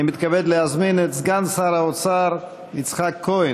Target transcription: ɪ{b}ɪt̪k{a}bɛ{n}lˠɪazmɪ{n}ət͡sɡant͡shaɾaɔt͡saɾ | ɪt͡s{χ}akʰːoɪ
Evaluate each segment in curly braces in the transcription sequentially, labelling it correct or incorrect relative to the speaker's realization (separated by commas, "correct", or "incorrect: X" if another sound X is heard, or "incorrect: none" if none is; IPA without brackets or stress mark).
incorrect: m, correct, incorrect: d, correct, correct